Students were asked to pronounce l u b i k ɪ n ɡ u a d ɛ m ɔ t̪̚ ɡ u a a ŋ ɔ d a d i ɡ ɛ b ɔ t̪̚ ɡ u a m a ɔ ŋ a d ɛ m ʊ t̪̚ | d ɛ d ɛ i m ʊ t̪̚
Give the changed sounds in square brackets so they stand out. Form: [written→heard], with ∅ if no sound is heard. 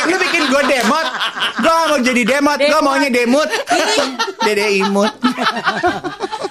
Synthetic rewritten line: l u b i k ɪ n ɡ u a d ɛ m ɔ t̪̚ ɡ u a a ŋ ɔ [d→d͡ʒ] a d i [ɡ→d] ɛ [b→m] ɔ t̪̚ ɡ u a m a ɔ [ŋ→ɲ] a d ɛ m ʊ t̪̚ | d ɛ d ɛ i m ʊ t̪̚